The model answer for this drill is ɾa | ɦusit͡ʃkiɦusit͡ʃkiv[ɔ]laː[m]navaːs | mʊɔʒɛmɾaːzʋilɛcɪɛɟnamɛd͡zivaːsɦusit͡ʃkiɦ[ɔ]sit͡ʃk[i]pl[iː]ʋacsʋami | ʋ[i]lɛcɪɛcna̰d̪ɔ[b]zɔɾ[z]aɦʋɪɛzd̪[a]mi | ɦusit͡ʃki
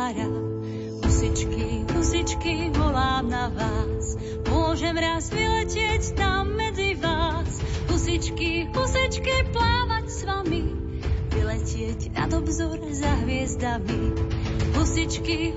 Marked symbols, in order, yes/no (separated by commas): yes, yes, no, yes, no, yes, yes, yes, yes